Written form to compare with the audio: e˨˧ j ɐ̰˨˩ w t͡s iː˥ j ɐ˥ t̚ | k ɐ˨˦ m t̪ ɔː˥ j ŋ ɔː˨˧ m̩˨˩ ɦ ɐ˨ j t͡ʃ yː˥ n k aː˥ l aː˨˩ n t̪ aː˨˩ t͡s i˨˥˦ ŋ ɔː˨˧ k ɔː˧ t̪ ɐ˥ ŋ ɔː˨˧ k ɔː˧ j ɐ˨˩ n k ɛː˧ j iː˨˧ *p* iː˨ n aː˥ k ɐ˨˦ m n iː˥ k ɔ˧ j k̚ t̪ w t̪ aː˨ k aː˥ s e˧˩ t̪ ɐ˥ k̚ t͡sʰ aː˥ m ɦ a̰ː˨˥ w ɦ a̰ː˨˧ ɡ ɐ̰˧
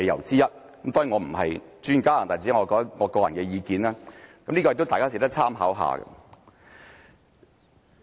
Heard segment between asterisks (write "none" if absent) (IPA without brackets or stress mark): k